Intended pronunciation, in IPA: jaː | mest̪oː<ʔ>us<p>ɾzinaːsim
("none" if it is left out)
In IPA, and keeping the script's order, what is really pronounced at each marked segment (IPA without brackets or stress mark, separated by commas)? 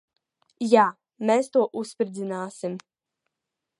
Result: ʔ, p